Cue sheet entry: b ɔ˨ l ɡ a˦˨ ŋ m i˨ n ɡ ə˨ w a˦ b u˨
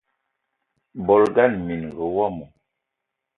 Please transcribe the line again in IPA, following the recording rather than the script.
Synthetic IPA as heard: b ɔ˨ l ɡ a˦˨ n m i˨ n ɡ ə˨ w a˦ m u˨